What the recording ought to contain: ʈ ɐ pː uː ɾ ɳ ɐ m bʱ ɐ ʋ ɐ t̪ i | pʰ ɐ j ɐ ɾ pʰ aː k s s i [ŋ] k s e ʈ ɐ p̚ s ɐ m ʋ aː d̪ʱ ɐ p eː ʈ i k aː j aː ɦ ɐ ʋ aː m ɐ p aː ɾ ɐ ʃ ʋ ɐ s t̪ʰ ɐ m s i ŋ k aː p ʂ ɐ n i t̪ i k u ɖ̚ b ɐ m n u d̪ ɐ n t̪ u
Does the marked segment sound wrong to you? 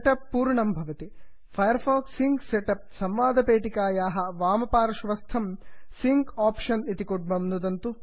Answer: no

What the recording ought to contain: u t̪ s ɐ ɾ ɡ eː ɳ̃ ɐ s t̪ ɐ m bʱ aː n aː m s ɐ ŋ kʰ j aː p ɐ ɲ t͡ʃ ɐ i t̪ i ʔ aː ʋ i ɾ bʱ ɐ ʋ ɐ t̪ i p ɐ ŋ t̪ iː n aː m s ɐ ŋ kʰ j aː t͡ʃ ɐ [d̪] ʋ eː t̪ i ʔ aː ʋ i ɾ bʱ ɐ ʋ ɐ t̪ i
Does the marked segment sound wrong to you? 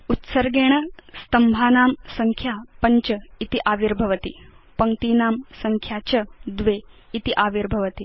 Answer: no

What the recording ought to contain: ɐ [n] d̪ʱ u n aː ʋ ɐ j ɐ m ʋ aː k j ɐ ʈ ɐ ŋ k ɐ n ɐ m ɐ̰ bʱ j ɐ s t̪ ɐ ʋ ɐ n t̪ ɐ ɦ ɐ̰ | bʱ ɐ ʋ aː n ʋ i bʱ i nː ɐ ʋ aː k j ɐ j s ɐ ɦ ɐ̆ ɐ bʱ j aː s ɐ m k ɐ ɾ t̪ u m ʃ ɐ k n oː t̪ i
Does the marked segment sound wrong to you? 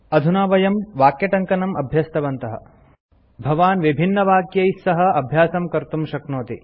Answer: yes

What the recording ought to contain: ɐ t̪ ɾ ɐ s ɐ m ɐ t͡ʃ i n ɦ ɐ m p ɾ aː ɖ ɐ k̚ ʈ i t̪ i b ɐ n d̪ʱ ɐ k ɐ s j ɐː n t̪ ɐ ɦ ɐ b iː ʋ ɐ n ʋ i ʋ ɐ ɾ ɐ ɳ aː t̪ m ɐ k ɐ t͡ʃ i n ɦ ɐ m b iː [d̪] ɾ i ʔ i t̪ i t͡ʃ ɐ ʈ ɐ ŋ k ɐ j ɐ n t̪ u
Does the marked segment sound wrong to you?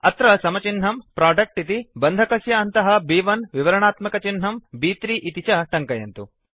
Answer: yes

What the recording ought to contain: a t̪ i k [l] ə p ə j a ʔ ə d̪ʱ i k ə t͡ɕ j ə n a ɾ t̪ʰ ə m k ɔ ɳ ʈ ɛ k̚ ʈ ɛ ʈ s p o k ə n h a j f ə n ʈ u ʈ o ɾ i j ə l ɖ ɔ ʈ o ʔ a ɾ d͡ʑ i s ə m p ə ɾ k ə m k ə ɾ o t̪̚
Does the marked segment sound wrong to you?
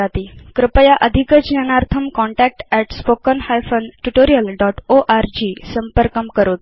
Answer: yes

